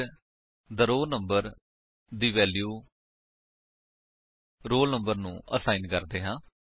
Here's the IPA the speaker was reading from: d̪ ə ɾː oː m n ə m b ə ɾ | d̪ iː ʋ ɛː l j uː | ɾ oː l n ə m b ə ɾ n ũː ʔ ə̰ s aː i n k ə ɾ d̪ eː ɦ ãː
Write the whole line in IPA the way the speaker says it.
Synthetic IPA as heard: d̪ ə ɾ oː n ə m b ə ɾ | d̪ iː ʋ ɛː l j uː | ɾ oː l n ə m b ə ɾ n ũː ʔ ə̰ s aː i n k ə ɾ d̪ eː ɦ ãː